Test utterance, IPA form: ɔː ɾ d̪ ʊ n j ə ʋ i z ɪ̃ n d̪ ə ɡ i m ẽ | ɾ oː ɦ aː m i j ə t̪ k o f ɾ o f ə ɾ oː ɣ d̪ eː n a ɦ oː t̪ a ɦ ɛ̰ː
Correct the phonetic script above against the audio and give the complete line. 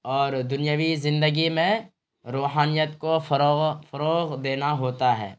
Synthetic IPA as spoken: ɔː ɾ d̪ ʊ n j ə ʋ i z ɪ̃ n d̪ ə ɡ i m ẽ | ɾ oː ɦ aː n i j ə t̪ k o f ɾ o f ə ɾ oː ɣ d̪ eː n a ɦ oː t̪ a ɦ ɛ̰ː